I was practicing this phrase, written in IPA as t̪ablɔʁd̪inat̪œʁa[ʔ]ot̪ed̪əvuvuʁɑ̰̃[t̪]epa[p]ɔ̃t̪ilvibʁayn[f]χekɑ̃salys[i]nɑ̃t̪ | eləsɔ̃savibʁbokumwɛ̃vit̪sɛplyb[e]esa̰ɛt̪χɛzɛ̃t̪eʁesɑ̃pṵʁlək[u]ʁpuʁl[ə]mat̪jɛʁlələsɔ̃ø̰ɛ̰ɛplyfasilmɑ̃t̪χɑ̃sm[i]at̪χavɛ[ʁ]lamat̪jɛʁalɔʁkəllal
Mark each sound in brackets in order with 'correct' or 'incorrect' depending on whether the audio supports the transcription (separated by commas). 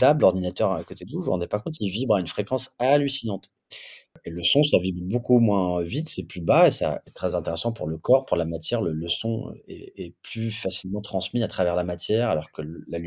incorrect, incorrect, incorrect, correct, correct, incorrect, incorrect, incorrect, correct, correct